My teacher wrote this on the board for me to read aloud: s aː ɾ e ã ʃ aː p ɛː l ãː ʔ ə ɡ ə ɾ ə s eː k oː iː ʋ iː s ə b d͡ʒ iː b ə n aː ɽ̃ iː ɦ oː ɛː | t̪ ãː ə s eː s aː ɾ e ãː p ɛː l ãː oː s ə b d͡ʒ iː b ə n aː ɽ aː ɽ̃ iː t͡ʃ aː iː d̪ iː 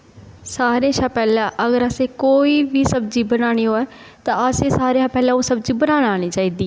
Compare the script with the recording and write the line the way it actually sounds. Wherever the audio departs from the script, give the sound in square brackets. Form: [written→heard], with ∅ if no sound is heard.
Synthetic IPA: s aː ɾ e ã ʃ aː p ɛː l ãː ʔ ə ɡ ə ɾ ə s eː k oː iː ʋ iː s ə b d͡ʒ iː b ə n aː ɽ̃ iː ɦ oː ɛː | t̪ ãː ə s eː s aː ɾ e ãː p ɛː l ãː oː s ə b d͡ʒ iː b ə n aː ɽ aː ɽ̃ iː t͡ʃ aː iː d̪ iː